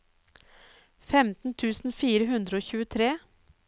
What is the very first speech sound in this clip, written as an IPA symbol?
f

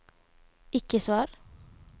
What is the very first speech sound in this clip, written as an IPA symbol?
ɪ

